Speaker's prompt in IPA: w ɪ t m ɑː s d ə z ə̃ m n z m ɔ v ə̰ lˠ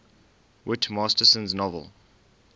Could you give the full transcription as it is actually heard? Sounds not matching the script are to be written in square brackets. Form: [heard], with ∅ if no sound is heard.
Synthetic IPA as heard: w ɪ t m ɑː s [t] ə [s] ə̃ [∅] n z [n] ɔ v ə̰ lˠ